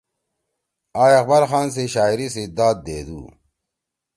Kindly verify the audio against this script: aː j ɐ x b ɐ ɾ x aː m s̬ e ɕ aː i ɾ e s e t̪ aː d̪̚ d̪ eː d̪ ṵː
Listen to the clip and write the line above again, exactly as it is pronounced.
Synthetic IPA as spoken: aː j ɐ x b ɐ ɾ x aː n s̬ e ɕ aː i ɾ i s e d̪ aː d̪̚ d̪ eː d̪ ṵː